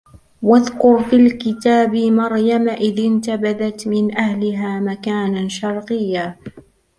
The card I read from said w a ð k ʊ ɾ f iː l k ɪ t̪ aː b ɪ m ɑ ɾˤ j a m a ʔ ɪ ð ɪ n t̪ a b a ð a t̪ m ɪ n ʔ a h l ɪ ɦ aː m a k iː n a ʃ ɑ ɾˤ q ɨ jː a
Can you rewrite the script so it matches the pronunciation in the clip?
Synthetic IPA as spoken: w a ð k ʊ ɾ f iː l k ɪ t̪ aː b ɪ m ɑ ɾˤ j a m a ʔ ɪ ð ɪ n t̪ a b a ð a t̪ m ɪ n ʔ a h l ɪ ɦ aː m a k aː n a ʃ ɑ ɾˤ q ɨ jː a